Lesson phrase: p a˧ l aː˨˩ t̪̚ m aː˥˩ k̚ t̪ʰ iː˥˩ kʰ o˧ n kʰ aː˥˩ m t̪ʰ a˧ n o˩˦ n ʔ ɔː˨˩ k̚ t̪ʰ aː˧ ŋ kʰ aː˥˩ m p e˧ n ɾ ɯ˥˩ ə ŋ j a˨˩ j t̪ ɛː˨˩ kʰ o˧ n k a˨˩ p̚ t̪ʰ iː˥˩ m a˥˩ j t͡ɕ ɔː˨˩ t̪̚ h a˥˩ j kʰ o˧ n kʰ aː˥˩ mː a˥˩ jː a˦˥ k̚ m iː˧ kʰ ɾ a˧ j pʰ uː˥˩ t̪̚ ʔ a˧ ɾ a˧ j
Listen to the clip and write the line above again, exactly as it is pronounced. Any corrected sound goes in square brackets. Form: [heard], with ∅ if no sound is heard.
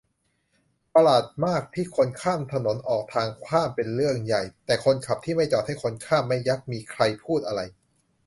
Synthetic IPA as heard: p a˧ l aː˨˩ t̪̚ m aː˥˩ k̚ t̪ʰ iː˥˩ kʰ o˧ n kʰ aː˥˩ m t̪ʰ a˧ n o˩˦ n ʔ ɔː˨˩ k̚ t̪ʰ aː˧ ŋ kʰ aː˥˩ m p e˧ n ɾ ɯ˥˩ ə ŋ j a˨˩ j t̪ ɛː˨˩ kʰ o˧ n [kʰ] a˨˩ p̚ t̪ʰ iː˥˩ m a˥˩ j t͡ɕ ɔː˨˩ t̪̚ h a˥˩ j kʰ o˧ n kʰ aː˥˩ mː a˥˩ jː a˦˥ k̚ m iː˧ kʰ ɾ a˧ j pʰ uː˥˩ t̪̚ ʔ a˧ ɾ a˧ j